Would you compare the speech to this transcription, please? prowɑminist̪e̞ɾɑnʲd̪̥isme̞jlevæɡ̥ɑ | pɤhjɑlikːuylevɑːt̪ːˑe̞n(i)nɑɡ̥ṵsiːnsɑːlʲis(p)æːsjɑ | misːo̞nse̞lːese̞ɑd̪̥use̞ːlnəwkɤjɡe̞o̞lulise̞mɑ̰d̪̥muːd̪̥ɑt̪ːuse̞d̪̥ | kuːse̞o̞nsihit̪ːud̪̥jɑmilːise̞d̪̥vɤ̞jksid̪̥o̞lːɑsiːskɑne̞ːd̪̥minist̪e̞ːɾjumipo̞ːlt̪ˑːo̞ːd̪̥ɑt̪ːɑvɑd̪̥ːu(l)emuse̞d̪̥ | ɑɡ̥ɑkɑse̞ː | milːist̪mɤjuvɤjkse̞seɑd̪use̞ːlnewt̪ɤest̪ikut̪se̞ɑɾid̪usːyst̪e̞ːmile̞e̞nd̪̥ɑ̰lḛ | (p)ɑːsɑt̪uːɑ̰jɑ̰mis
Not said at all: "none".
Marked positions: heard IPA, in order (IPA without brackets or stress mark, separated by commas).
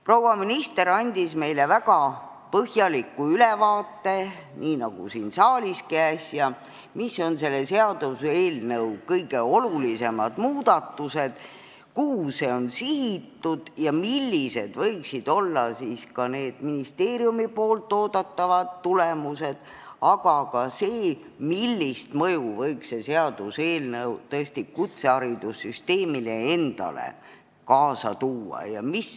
iː, k, l, k